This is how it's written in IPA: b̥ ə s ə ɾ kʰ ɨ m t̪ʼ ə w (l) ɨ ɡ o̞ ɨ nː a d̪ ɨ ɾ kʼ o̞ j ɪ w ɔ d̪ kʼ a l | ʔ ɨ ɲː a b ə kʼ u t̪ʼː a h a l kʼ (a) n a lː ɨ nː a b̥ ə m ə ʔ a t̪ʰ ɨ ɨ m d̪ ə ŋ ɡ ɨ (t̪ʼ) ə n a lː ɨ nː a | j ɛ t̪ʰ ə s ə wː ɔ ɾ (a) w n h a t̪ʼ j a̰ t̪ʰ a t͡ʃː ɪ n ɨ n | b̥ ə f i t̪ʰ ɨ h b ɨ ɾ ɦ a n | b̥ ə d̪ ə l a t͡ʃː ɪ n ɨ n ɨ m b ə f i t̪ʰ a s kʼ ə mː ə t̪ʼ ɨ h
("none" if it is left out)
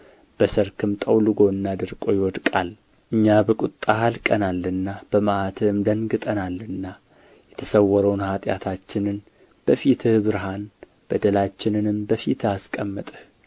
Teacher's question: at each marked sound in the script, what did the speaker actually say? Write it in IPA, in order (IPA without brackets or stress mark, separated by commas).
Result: l, ə, t̪ʼ, ə